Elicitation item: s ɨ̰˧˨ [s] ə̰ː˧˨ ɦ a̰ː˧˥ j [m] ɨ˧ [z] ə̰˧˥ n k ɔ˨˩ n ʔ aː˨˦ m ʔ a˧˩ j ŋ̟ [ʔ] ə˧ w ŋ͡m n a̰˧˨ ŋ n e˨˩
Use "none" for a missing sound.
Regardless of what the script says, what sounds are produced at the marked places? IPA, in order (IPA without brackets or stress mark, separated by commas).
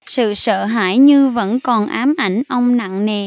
s, ɲ, v, ʔ